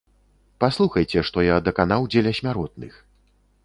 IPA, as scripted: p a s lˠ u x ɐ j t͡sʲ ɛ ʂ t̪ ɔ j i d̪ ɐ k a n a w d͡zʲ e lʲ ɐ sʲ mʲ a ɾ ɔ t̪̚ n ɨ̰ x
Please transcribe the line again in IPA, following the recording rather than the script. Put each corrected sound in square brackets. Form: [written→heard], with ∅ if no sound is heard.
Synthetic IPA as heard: p a s lˠ u x ɐ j t͡sʲ ɛ ʂ t̪ ɔ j [i→a] d̪ ɐ k a n a w d͡zʲ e lʲ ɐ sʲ mʲ a ɾ ɔ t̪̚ n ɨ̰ x